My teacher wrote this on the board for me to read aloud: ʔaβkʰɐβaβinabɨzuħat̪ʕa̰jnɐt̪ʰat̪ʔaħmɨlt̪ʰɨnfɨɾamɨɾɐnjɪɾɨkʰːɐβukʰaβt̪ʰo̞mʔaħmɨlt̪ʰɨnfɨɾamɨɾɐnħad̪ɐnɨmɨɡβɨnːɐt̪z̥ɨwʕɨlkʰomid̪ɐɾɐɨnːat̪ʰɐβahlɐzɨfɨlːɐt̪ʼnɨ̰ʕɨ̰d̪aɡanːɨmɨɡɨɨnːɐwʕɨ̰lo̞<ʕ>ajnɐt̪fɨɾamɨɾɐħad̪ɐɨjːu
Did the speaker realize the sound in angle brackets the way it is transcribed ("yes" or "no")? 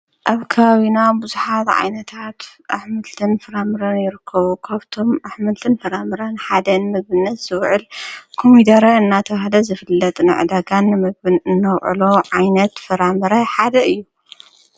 yes